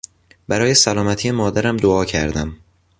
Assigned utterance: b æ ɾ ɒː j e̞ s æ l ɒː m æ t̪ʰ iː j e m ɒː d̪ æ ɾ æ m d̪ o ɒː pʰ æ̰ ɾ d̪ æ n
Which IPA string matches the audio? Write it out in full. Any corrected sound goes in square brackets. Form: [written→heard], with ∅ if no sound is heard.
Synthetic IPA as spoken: b æ ɾ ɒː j e̞ s æ l ɒː m æ t̪ʰ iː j e m ɒː d̪ æ ɾ æ m d̪ o ɒː [pʰ→cʰ] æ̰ ɾ d̪ æ [n→m]